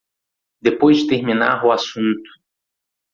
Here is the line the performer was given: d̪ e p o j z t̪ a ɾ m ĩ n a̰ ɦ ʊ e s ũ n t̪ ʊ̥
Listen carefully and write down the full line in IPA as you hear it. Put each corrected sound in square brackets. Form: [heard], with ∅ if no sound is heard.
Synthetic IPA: d̪ e p o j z t̪ [e] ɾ m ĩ n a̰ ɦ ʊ [a] s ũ n t̪ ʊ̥